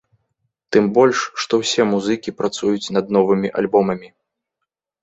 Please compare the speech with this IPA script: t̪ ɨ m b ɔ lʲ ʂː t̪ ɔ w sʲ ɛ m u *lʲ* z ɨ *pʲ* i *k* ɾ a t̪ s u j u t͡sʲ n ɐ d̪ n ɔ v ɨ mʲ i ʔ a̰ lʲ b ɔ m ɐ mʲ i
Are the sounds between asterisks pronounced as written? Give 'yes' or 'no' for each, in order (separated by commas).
no, no, no